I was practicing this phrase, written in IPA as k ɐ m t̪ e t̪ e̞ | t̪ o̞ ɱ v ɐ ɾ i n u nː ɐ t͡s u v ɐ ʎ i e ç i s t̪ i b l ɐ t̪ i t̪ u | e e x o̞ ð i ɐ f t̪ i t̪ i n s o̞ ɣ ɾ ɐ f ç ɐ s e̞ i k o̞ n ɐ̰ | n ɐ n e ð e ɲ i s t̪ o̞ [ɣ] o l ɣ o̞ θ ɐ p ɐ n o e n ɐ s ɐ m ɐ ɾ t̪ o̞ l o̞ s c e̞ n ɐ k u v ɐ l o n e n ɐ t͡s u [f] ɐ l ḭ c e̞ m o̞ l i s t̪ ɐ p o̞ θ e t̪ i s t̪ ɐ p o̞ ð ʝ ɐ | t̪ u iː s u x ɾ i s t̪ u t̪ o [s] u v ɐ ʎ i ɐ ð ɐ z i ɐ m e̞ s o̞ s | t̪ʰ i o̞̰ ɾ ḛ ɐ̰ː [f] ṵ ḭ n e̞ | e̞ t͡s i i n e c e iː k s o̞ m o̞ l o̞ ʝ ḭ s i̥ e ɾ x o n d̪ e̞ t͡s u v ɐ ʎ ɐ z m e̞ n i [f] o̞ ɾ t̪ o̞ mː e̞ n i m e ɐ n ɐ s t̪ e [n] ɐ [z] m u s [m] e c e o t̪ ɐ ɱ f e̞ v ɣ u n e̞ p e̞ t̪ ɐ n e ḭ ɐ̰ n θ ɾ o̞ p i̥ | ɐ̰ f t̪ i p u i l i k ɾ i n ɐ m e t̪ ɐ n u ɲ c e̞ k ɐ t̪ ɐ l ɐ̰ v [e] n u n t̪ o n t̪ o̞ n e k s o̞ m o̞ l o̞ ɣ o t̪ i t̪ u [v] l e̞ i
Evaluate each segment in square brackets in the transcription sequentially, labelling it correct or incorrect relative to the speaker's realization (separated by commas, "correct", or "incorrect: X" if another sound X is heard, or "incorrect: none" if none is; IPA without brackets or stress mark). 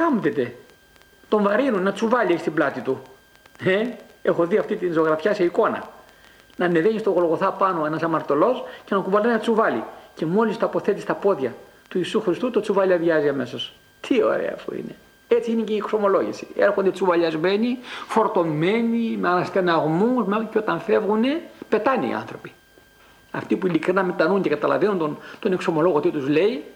correct, incorrect: v, incorrect: t͡s, correct, correct, correct, incorrect: ɣ, correct, correct, incorrect: z